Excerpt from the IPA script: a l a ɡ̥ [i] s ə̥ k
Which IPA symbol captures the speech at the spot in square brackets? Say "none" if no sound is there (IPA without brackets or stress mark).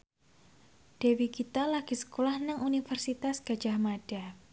i